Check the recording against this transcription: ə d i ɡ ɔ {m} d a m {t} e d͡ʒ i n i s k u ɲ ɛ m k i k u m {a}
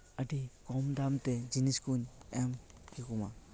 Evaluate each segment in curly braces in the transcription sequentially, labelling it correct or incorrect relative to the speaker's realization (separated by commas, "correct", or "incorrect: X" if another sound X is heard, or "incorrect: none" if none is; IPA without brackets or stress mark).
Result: correct, correct, correct